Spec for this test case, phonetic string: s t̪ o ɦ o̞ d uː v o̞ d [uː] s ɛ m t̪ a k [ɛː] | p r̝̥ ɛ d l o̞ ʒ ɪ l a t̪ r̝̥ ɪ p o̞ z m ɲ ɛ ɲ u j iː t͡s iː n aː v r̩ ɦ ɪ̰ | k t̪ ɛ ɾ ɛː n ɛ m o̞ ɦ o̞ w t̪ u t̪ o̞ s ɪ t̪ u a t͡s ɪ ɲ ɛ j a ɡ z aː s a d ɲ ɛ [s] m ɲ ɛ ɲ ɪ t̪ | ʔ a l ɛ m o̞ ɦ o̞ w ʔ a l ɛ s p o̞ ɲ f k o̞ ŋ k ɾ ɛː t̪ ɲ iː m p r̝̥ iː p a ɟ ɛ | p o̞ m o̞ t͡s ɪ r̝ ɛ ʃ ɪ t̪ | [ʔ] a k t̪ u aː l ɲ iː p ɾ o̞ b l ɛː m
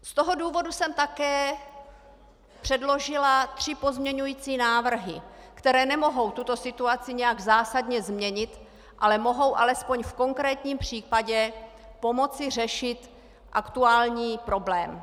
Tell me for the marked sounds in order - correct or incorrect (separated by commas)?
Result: incorrect, correct, incorrect, correct